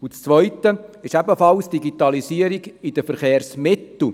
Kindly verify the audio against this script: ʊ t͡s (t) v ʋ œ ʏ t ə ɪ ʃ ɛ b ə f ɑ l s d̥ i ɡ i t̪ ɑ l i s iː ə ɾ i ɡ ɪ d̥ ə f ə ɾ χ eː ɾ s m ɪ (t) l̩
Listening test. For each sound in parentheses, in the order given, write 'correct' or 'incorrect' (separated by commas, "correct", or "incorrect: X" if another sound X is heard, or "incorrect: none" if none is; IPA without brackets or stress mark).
incorrect: t͡s, correct